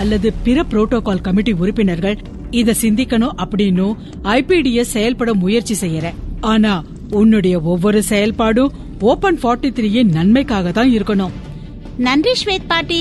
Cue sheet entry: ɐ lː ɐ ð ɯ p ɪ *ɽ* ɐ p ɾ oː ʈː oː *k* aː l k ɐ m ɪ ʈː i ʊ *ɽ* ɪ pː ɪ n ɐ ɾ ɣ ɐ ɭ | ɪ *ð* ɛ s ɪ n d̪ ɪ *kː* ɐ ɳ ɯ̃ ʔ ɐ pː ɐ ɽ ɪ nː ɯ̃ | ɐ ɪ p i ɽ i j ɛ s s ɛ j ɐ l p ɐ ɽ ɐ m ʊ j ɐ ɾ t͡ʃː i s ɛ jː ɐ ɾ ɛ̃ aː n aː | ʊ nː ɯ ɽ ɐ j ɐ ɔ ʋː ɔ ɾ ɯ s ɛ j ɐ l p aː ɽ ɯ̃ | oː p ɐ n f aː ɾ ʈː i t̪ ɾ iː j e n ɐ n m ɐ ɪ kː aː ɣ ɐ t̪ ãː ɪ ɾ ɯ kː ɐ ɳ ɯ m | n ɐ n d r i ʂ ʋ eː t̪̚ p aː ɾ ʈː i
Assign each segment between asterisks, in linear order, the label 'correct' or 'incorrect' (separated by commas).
incorrect, correct, incorrect, correct, correct